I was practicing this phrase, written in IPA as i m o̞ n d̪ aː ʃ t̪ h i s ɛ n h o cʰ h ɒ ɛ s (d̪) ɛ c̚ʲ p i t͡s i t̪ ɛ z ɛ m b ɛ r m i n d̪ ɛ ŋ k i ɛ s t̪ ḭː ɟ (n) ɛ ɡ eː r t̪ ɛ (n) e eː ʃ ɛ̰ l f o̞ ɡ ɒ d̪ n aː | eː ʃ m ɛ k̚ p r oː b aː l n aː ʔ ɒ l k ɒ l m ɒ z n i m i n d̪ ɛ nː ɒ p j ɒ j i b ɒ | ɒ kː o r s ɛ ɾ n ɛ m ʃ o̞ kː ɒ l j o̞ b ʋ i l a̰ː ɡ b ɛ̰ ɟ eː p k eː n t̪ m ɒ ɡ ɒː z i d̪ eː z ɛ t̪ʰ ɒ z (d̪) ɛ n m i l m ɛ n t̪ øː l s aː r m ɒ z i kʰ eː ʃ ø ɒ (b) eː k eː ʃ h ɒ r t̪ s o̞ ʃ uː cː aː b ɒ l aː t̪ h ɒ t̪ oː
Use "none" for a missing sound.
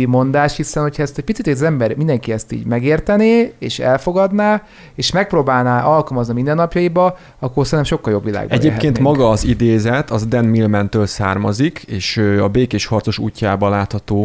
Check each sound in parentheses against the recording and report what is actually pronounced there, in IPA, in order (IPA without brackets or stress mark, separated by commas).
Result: t̪, m, n, d̪, b